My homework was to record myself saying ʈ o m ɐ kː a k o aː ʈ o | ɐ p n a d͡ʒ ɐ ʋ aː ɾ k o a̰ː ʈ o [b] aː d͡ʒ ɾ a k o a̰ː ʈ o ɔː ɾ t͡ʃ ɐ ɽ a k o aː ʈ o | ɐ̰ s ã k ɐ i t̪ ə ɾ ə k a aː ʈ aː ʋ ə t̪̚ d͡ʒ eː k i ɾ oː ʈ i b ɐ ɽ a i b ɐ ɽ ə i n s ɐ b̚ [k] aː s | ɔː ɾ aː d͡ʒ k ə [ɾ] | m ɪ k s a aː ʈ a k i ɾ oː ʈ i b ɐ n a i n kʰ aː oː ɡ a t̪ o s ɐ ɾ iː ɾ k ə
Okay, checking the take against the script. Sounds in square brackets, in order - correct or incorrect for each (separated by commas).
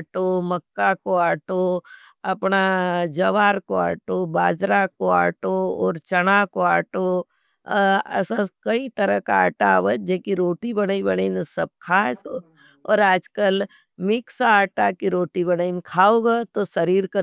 correct, incorrect, incorrect